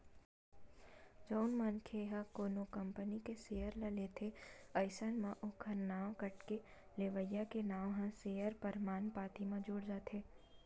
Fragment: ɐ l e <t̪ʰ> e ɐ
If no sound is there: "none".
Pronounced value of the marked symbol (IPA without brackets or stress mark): t̪ʰ